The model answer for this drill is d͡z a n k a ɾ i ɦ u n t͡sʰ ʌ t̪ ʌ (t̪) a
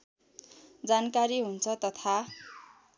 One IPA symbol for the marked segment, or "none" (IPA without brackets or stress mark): t̪ʰ